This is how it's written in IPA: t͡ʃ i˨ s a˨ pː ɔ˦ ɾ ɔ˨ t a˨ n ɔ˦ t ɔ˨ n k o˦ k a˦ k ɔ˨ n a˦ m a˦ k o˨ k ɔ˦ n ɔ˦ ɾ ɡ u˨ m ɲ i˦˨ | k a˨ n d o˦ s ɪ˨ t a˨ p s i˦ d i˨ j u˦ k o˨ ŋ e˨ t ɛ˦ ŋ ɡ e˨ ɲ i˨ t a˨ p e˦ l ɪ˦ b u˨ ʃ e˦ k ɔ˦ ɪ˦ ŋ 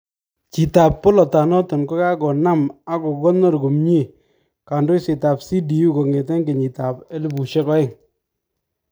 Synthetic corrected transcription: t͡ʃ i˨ t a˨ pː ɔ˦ l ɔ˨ t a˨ n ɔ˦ t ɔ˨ n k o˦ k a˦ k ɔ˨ n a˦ m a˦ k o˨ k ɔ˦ n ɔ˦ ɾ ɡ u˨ m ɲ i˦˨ | k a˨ n d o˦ s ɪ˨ t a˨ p s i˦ d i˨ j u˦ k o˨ ŋ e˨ t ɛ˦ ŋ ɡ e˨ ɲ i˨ t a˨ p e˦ l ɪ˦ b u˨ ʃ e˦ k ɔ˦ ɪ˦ ŋ